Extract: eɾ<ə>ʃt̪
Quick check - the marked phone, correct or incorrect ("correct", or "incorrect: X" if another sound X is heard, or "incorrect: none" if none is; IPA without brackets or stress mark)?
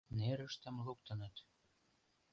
correct